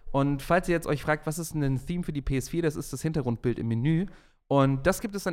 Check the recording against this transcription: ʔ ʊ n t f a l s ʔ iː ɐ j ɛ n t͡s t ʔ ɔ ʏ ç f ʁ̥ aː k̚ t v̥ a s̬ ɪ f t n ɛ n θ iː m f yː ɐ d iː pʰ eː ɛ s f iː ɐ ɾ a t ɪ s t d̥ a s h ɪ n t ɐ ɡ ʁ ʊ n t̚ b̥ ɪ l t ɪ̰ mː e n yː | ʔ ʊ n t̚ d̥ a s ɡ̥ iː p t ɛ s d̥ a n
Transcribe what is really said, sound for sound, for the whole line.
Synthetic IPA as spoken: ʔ ʊ n t f a l s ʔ iː ɐ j ɛ t͡s t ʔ ɔ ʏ ç f ʁ̥ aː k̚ t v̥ a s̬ ɪ s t n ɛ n θ iː m f yː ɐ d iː pʰ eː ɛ s f iː ɐ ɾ a s ɪ s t d̥ a s h ɪ n t ɐ ɡ ʁ ʊ n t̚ b̥ ɪ l t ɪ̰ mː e n yː | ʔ ʊ n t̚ d̥ a s ɡ̥ iː p t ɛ s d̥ a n